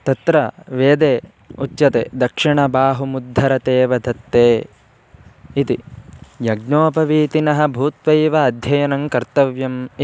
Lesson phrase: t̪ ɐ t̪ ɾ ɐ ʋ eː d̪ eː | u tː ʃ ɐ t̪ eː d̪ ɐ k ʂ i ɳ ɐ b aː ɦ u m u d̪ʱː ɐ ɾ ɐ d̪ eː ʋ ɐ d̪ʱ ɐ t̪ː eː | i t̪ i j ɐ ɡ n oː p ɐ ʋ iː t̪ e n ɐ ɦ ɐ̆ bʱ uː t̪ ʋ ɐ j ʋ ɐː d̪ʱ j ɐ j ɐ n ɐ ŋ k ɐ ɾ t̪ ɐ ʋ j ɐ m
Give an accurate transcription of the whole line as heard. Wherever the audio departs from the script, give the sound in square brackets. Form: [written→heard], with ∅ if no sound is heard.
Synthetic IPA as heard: t̪ ɐ t̪ ɾ ɐ ʋ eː d̪ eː | u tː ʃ ɐ t̪ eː d̪ ɐ k ʂ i ɳ ɐ b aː ɦ u m u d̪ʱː ɐ ɾ ɐ [d̪→t̪] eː ʋ ɐ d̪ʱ ɐ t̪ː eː | i t̪ i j ɐ ɡ n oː p ɐ ʋ iː t̪ [e→i] n ɐ ɦ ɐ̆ bʱ uː t̪ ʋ ɐ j ʋ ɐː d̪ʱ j ɐ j ɐ n ɐ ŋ k ɐ ɾ t̪ ɐ ʋ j ɐ m